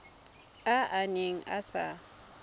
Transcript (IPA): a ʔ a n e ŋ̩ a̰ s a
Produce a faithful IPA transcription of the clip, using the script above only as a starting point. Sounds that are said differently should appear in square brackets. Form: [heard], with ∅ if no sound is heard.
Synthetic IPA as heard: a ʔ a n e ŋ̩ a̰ s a